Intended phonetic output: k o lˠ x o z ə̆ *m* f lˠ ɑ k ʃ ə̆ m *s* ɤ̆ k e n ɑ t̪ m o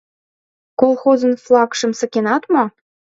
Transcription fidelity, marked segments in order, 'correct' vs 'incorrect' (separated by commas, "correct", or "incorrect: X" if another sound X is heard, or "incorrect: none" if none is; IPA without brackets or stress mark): incorrect: n, correct